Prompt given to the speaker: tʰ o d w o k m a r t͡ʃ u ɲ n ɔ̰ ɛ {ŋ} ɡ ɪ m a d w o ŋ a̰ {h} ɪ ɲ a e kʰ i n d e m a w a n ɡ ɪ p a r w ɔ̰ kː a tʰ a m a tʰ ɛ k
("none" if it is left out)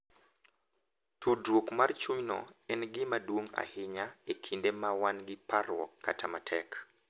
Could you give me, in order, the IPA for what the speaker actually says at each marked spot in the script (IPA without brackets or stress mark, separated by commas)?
n, h